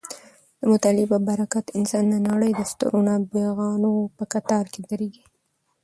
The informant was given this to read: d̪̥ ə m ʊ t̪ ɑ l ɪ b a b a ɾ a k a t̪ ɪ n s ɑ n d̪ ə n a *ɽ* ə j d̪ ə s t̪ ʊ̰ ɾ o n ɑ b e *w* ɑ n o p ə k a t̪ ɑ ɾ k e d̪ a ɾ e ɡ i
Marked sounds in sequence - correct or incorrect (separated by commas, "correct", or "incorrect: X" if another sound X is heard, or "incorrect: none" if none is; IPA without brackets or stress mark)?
correct, incorrect: ɣ